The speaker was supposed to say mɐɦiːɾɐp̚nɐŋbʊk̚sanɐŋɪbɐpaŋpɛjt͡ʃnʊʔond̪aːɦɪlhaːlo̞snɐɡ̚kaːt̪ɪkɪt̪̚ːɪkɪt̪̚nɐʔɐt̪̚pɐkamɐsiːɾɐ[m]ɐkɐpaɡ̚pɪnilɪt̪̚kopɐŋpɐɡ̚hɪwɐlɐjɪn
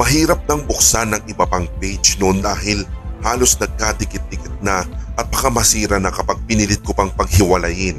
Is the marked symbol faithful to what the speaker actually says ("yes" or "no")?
no